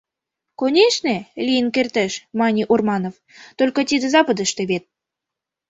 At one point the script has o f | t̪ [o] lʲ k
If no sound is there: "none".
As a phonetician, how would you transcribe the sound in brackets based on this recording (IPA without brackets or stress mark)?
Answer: o